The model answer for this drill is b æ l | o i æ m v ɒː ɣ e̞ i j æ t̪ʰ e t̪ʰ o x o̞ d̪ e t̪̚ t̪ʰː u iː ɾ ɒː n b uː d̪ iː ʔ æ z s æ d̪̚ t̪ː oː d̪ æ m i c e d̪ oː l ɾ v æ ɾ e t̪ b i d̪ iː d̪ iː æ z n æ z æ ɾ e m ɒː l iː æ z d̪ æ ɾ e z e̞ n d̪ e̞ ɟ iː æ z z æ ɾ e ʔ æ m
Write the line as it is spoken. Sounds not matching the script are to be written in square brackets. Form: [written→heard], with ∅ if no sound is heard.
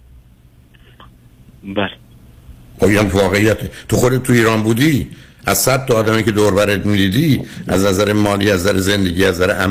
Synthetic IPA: b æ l | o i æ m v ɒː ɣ e̞ i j æ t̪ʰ e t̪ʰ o x o̞ d̪ e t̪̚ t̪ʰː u iː ɾ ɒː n b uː d̪ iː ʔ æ z s æ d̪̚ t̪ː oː d̪ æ m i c e d̪ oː [l→∅] ɾ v æ ɾ e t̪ [b→m] i d̪ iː d̪ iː æ z n æ z æ ɾ e m ɒː l iː æ z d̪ æ ɾ e z e̞ n d̪ e̞ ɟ iː æ z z æ ɾ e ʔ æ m